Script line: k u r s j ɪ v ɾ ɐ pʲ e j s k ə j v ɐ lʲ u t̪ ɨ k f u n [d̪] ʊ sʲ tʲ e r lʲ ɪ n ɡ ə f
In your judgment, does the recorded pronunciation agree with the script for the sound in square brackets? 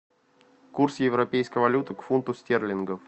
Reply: no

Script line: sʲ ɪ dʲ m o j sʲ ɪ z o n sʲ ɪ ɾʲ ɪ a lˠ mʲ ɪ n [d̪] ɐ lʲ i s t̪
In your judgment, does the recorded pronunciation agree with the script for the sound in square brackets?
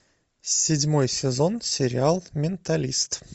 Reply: no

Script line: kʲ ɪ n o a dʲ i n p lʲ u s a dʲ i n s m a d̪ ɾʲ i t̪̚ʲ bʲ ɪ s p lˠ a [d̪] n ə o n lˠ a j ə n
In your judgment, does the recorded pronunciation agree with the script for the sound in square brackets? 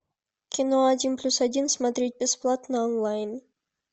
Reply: no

